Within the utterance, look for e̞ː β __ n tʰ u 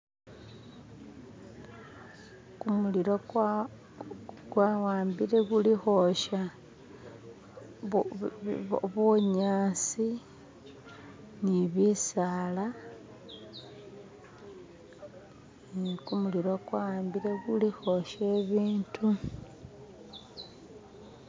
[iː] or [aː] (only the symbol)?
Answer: iː